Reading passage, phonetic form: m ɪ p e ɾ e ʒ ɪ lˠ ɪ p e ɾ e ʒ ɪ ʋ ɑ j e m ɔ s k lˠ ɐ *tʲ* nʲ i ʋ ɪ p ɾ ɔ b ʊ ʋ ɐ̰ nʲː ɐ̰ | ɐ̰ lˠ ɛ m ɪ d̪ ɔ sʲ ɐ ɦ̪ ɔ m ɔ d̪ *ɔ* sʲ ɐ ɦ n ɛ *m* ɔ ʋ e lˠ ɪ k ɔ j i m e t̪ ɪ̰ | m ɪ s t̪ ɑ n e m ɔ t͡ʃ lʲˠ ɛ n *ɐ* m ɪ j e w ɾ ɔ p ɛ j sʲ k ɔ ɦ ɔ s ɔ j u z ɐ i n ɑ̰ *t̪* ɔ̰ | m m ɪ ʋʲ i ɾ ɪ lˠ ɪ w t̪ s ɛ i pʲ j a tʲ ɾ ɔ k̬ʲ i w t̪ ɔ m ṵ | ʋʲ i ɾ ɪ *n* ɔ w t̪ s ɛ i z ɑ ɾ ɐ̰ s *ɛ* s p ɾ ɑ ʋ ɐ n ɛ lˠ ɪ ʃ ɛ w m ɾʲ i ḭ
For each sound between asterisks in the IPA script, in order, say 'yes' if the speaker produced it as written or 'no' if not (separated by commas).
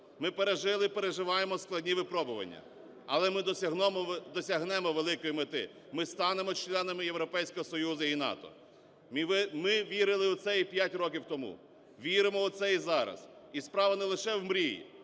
no, yes, yes, yes, yes, no, no